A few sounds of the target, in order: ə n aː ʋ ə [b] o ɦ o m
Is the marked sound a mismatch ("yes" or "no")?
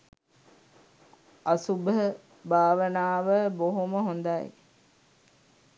no